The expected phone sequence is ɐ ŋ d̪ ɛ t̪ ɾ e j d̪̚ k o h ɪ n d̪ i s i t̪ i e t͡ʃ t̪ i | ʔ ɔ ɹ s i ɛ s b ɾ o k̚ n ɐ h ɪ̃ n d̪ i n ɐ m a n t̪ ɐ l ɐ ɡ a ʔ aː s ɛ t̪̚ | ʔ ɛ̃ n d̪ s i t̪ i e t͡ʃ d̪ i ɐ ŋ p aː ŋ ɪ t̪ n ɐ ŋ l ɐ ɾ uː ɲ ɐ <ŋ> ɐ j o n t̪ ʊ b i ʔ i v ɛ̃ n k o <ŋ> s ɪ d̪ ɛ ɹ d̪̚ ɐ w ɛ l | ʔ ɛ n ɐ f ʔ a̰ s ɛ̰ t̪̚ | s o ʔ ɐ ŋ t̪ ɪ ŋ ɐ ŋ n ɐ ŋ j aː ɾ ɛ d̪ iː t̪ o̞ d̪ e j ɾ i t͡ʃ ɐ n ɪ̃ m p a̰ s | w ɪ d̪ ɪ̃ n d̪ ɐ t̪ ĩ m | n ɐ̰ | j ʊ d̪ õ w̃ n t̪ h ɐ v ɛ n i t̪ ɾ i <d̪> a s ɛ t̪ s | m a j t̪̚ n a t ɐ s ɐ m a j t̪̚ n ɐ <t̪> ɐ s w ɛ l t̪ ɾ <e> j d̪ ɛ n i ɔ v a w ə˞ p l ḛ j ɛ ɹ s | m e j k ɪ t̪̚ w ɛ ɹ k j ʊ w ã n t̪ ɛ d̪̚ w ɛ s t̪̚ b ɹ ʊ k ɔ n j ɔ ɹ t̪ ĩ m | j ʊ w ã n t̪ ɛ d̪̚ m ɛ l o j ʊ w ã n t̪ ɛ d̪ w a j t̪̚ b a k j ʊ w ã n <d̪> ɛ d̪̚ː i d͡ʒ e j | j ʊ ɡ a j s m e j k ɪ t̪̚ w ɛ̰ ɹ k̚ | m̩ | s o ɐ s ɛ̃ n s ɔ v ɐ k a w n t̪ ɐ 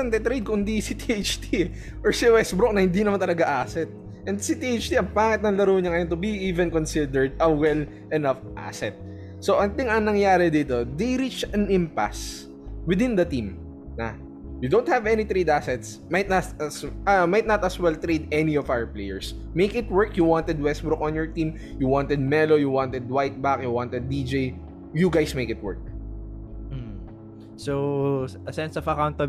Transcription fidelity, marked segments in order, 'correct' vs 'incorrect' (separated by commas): correct, incorrect, correct, correct, correct, incorrect